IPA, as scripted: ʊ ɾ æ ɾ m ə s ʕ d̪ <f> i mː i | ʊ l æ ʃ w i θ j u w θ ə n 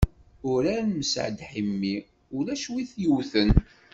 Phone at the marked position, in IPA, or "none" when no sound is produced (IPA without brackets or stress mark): ħ